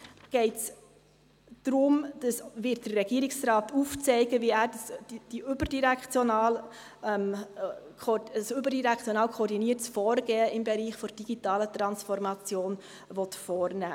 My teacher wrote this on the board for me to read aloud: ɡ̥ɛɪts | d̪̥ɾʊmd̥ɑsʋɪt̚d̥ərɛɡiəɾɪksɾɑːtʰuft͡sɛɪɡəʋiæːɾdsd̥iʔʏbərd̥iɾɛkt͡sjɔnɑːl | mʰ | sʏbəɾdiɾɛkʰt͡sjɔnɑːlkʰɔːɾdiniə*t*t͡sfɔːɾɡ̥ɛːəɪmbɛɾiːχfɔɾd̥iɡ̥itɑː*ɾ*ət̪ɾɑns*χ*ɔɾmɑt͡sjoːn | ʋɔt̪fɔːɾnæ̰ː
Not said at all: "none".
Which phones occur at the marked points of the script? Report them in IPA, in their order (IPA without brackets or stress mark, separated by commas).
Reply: t, l, f